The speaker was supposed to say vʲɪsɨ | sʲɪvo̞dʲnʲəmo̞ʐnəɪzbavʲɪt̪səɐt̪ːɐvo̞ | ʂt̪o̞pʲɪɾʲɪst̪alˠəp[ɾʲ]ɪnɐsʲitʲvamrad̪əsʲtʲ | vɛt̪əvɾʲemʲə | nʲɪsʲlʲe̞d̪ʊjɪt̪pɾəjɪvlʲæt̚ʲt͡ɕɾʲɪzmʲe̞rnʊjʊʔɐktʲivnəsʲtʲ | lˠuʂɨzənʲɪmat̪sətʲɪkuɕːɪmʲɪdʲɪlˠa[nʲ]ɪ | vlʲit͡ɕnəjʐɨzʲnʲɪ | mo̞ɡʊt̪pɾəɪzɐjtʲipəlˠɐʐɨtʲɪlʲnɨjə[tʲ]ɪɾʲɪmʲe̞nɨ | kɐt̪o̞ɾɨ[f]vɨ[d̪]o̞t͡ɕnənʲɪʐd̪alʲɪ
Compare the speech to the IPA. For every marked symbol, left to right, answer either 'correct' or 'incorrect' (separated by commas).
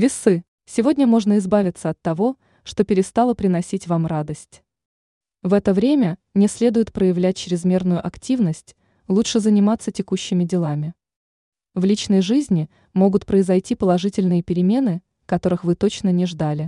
correct, incorrect, incorrect, incorrect, incorrect